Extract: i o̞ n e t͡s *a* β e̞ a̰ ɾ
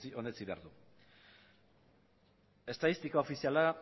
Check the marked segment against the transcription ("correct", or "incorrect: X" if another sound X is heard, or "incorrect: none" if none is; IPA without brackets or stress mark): incorrect: i